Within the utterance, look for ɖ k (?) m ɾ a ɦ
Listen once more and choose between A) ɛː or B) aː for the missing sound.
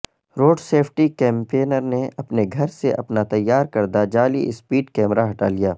A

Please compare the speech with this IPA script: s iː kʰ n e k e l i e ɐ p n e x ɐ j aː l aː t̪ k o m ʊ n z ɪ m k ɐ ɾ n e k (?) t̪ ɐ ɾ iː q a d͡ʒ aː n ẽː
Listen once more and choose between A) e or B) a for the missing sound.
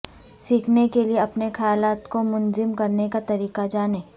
B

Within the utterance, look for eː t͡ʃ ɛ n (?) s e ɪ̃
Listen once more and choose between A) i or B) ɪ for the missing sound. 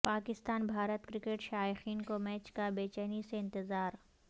A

